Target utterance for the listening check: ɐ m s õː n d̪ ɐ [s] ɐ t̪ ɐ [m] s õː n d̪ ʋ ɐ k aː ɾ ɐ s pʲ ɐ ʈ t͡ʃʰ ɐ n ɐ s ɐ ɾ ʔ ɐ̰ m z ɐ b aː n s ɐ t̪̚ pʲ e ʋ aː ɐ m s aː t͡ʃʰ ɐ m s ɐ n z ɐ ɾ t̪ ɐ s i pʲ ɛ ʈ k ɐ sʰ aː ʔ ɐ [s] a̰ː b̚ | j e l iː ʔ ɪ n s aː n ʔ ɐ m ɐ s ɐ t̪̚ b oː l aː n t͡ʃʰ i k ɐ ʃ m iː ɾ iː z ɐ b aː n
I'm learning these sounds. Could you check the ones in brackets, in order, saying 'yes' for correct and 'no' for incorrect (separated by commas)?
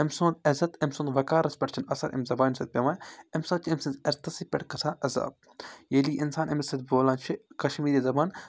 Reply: no, yes, no